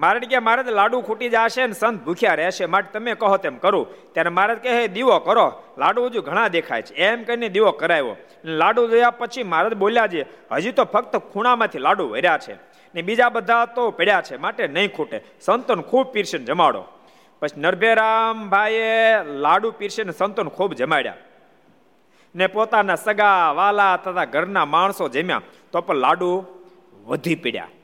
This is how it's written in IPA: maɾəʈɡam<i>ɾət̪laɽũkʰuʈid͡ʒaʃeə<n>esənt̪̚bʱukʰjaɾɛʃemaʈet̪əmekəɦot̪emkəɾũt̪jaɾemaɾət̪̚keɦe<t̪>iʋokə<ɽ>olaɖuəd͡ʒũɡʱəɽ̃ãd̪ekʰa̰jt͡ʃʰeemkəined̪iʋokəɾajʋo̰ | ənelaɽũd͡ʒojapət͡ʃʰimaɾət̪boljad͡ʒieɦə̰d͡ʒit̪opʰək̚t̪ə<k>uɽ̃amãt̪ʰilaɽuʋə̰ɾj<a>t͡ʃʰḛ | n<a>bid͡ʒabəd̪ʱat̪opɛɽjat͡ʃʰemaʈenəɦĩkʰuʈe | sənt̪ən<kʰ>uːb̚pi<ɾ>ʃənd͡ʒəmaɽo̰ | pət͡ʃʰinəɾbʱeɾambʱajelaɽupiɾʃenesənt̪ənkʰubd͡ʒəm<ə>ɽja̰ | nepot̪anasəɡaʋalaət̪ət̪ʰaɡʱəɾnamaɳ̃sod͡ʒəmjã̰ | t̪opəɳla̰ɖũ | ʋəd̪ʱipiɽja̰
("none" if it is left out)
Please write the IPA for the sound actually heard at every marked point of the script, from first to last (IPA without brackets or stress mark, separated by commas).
a, n, d̪, ɾ, kʰ, a, e, kʰ, ɾ, a